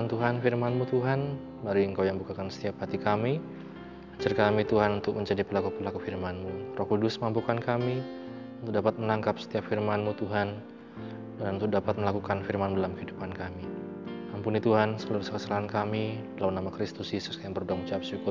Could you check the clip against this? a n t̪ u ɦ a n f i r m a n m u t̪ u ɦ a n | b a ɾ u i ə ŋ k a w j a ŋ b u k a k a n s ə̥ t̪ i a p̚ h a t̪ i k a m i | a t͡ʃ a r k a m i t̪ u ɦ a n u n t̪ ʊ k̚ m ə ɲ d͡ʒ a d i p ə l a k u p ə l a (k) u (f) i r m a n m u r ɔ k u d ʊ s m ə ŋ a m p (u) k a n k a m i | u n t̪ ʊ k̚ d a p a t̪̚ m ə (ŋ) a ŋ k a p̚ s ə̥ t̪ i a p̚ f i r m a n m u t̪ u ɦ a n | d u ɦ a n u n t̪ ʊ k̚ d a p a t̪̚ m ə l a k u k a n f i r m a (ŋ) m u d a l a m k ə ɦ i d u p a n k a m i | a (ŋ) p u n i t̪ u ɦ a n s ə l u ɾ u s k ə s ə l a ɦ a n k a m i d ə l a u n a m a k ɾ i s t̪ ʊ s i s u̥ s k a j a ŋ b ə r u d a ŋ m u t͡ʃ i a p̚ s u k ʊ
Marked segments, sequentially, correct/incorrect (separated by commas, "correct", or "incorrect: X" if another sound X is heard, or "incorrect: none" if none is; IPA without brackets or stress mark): correct, correct, correct, incorrect: n, incorrect: n, incorrect: m